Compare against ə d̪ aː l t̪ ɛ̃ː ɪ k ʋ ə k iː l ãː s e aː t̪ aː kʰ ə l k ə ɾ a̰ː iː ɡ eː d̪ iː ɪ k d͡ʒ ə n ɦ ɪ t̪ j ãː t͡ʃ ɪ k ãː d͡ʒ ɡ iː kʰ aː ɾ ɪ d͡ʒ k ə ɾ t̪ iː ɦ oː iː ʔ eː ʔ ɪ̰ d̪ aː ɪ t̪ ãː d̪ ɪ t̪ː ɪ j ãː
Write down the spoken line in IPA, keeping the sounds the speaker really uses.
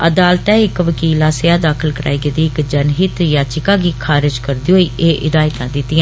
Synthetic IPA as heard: ə d̪ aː l t̪ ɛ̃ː ɪ k ʋ ə k iː l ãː s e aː d̪ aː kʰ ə l k ə ɾ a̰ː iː ɡ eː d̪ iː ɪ k d͡ʒ ə n ɦ ɪ t̪ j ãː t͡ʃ ɪ k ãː ɡ iː kʰ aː ɾ ɪ d͡ʒ k ə ɾ d̪ iː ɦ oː iː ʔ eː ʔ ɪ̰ d̪ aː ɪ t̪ ãː d̪ ɪ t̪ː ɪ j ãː

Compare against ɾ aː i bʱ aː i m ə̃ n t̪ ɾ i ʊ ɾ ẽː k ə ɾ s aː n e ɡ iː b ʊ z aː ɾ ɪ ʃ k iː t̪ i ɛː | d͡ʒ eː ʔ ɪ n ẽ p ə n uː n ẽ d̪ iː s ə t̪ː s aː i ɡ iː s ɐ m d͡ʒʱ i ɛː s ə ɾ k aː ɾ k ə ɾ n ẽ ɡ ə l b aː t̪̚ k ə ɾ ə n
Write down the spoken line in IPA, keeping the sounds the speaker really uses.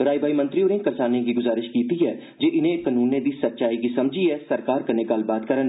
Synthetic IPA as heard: ɾ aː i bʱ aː i m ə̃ n t̪ ɾ i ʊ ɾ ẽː k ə ɾ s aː n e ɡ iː ɡ ʊ z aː ɾ ɪ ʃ k iː t̪ i ɛː | d͡ʒ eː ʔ ɪ n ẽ k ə n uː n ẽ d̪ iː s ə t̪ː ʃ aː i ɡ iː s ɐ m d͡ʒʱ i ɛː s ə ɾ k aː ɾ k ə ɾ n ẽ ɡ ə l b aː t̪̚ k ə ɾ ə n

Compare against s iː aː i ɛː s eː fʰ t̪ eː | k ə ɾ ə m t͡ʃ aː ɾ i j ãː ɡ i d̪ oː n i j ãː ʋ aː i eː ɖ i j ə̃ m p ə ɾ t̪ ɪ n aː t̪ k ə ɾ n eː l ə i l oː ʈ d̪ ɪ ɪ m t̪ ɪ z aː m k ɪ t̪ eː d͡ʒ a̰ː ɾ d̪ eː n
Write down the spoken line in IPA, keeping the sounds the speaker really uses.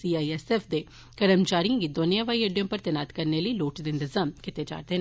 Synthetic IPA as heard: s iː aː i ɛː s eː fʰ d̪ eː | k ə ɾ ə m t͡ʃ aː ɾ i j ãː ɡ i d̪ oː n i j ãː ʋ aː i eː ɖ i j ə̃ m p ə ɾ t̪ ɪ n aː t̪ k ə ɾ n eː l ə i l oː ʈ d̪ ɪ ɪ n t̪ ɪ z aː m k ɪ t̪ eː d͡ʒ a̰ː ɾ d̪ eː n

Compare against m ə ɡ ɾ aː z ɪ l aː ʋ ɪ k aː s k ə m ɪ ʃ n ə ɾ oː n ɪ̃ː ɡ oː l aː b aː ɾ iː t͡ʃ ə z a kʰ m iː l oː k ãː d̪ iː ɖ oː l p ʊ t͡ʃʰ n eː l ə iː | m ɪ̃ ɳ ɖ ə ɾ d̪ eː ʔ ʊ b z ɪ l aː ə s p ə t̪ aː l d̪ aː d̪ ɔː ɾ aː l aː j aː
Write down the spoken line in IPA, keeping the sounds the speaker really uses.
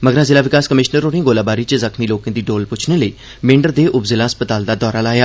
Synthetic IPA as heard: m ə ɡ ɾ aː z ɪ l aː ʋ ɪ k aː s k ə m ɪ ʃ n ə ɾ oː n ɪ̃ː ɡ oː l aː b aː ɾ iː t͡ʃ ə z ə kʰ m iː l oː k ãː d̪ iː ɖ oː l p ʊ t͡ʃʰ n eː l ə iː | m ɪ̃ ɳ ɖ ə ɾ d̪ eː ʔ ʊ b z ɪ l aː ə s p ə t̪ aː l d̪ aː d̪ ɔː ɾ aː l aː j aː

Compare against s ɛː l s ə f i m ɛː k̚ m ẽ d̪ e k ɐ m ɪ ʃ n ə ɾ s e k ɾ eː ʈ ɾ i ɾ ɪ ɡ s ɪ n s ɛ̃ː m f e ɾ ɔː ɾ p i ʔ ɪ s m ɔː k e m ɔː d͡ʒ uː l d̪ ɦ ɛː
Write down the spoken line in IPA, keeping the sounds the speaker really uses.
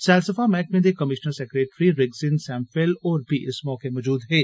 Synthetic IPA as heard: s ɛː l s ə f a m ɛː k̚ m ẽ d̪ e k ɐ m ɪ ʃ n ə ɾ s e k ɾ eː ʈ ɾ i ɾ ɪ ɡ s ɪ n s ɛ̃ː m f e l ɔː ɾ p i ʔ ɪ s m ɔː k e m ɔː d͡ʒ uː d̪ ɦ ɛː

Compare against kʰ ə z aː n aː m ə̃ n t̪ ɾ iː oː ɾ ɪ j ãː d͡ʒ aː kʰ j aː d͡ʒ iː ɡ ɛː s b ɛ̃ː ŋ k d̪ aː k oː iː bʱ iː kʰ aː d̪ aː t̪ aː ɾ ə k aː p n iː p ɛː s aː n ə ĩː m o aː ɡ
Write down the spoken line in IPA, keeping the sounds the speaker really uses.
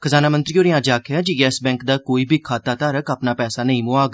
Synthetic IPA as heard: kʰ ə z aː n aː m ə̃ n t̪ ɾ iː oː ɾ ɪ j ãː d͡ʒ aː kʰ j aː d͡ʒ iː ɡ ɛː s b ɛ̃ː ŋ k d̪ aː k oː iː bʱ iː kʰ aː t̪ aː t̪ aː ɾ ə k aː p n aː p ɛː s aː n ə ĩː m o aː ɡ

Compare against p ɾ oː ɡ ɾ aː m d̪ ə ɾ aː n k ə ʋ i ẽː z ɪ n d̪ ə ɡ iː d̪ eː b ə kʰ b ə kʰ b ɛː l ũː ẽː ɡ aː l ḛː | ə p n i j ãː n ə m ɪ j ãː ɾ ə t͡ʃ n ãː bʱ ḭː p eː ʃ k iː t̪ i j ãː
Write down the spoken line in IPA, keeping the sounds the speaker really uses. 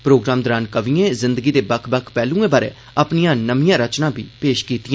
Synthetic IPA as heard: p ɾ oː ɡ ɾ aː m d̪ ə ɾ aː n k ə ʋ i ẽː z ɪ n d̪ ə ɡ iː d̪ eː b ə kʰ b ə kʰ p ɛː l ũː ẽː b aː ɾ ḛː | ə p n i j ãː n ə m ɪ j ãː ɾ ə t͡ʃ n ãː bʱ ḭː p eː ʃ k iː t̪ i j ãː

